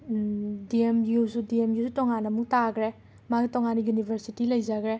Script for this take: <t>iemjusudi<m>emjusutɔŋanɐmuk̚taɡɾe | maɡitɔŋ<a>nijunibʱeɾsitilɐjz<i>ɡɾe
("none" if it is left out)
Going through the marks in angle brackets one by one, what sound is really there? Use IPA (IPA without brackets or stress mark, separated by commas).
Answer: d, none, a, a